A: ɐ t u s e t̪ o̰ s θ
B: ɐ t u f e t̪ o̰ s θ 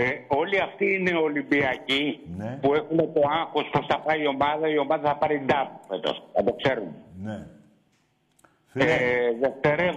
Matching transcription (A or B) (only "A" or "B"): B